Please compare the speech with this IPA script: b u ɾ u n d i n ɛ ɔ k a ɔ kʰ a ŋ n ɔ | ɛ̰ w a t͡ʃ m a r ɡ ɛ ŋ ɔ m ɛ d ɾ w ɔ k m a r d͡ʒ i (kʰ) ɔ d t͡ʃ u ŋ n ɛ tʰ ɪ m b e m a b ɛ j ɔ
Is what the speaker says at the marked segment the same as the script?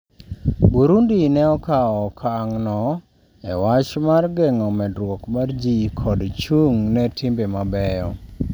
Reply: yes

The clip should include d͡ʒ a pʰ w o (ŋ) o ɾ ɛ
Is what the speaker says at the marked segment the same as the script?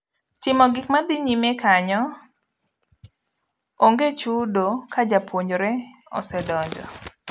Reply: no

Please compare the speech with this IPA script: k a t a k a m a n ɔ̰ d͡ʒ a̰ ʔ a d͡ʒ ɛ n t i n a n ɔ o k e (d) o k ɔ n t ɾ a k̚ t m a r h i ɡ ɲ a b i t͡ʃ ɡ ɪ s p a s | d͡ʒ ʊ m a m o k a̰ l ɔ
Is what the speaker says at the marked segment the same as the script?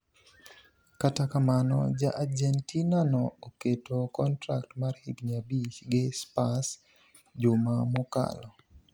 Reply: no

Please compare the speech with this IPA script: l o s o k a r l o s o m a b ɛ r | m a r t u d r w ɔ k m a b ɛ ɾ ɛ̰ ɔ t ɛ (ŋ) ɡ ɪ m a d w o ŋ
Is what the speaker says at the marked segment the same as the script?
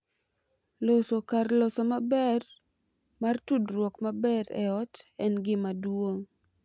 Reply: no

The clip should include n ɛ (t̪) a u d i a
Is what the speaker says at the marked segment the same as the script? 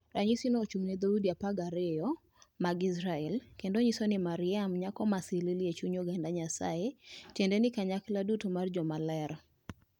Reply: no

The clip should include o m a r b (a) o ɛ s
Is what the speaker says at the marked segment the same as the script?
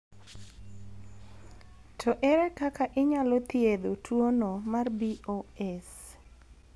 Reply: no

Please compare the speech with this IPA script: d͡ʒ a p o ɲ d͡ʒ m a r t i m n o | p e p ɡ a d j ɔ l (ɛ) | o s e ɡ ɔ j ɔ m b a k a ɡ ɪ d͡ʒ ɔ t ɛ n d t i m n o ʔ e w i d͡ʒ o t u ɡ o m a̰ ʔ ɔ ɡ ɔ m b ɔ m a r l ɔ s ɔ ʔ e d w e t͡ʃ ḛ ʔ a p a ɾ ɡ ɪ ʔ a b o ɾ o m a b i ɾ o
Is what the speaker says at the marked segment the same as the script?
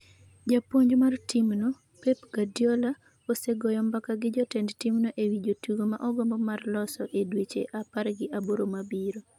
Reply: no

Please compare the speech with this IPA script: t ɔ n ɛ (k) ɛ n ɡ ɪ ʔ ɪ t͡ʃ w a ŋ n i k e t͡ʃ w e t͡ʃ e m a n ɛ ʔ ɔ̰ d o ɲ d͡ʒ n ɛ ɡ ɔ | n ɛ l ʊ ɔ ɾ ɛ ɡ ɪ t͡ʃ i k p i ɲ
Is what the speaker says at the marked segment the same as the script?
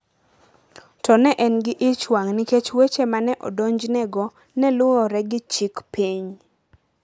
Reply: no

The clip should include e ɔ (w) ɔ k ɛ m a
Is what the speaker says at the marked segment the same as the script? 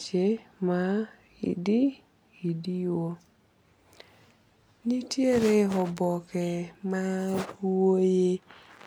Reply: no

